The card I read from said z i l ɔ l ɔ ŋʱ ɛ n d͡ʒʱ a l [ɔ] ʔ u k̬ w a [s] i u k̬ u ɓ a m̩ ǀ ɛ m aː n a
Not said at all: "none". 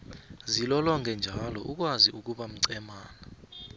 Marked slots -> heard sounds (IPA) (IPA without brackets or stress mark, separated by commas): ɔ, z